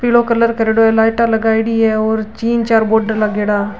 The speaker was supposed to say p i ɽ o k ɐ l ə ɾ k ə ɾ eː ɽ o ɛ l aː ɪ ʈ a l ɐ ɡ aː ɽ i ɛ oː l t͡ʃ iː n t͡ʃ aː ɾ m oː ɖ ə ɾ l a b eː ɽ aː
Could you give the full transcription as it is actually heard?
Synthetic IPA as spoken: p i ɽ o k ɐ l ə ɾ k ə ɾ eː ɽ o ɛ l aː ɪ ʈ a l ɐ ɡ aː ɽ i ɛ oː ɾ t͡ʃ iː n t͡ʃ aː ɾ b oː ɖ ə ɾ l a ɡ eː ɽ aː